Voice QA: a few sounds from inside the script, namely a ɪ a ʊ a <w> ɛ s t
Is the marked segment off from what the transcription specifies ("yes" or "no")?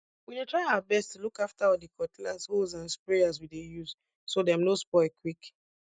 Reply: yes